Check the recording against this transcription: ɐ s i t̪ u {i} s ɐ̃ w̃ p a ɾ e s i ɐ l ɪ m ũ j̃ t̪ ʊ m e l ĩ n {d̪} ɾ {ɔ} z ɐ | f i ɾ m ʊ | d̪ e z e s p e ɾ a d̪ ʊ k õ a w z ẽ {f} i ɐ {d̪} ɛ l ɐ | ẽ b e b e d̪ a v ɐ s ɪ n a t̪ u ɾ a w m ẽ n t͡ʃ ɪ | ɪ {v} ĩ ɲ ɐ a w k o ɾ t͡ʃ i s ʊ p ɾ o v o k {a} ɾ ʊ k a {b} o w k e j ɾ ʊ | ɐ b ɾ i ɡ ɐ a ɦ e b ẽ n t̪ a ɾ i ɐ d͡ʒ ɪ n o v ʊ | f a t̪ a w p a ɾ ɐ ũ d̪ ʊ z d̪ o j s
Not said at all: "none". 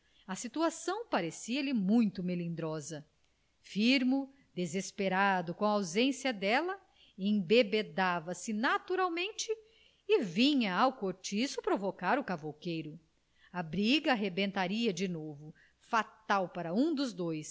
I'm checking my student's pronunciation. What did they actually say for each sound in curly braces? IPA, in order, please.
a, d̪, ɔ, s, d̪, v, a, v

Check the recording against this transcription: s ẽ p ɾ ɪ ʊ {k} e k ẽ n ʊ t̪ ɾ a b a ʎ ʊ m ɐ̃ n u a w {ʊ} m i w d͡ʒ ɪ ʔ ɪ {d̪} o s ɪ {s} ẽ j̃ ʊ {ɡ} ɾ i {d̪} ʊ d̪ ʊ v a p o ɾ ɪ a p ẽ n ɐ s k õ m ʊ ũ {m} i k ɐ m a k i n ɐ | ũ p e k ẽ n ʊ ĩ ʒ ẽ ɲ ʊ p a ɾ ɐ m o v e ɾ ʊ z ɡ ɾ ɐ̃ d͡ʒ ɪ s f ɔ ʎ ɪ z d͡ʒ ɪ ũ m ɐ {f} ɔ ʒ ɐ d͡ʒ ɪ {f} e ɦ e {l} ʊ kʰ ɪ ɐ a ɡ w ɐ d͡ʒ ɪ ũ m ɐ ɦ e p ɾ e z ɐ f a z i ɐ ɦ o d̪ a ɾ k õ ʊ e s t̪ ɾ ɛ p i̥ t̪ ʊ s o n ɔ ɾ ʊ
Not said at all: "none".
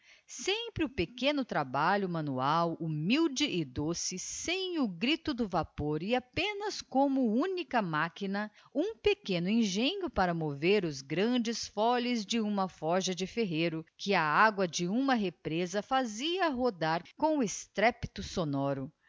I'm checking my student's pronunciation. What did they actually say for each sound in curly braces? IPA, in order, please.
p, u, d̪, s, ɡ, t̪, n, f, f, ɾ

